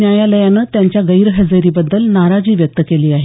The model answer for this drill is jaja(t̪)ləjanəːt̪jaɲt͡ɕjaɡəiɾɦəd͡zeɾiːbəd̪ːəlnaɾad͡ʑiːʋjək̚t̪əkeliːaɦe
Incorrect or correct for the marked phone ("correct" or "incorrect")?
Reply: incorrect